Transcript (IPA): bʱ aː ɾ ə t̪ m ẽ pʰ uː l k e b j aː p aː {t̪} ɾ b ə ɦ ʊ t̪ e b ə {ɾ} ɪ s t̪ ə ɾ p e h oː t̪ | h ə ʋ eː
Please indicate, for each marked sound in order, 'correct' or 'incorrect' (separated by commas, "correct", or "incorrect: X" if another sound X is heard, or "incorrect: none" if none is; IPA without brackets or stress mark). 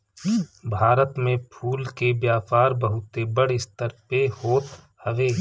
incorrect: none, incorrect: ɽ